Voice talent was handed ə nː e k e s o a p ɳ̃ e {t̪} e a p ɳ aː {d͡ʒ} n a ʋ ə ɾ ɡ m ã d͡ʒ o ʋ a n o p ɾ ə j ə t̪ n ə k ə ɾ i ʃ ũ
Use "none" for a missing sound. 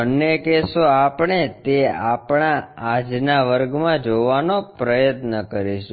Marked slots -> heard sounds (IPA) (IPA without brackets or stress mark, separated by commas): t̪, d͡ʒ